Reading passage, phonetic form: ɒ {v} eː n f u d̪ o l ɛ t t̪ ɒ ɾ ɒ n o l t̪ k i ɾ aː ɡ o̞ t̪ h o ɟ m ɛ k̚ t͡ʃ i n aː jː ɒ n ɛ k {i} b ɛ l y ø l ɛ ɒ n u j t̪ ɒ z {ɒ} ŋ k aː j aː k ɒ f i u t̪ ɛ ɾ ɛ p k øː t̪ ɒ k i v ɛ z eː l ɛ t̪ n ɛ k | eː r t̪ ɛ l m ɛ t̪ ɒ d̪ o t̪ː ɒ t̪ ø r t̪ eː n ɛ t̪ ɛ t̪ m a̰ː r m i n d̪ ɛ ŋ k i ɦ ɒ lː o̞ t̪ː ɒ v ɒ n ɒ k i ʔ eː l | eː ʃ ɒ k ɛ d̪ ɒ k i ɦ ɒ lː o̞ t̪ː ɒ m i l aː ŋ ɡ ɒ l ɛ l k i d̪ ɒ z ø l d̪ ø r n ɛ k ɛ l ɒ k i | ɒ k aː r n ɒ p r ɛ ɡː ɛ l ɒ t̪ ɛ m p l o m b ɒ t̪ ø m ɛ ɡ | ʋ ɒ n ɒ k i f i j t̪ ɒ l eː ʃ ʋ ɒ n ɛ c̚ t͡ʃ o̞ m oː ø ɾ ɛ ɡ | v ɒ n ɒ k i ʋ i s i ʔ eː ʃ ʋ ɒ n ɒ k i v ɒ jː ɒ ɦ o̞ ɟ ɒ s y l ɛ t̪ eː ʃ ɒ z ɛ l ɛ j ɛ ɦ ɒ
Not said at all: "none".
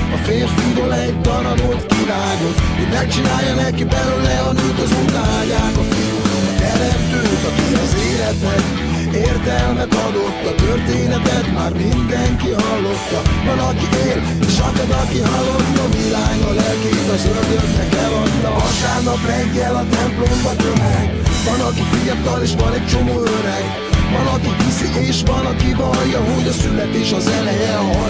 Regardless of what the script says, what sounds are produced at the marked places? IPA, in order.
f, i, u

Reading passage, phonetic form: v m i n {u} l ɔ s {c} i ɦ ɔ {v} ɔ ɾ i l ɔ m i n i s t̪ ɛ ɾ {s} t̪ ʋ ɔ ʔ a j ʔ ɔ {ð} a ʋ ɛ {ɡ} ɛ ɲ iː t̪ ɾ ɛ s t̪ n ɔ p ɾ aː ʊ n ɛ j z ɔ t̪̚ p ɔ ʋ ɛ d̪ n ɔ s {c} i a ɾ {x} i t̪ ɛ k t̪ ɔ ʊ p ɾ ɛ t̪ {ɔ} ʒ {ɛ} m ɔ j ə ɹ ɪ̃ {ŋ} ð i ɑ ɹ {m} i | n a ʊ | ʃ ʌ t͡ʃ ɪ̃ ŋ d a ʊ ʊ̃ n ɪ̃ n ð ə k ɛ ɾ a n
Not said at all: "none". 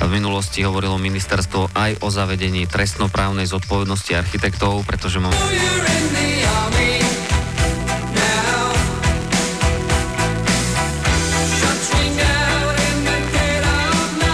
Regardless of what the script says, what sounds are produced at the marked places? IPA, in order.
u, c, ʋ, s, z, ɟ, c, x, ɔ, ɛ, n, m

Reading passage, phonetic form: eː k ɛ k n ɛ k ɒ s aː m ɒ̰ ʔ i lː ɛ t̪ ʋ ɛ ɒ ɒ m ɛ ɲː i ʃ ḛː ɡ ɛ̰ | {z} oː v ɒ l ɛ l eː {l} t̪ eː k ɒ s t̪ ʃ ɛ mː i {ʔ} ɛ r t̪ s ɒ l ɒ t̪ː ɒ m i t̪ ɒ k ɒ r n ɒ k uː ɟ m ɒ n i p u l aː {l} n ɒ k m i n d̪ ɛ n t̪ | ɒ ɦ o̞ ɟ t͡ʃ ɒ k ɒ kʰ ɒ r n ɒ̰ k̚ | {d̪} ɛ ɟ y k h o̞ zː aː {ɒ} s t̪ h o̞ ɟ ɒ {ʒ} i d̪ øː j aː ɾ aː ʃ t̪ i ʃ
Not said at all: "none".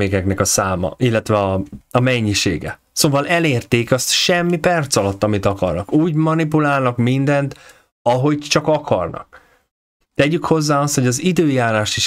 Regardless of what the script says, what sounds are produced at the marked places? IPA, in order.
s, r, p, l, t̪, ɒ, z

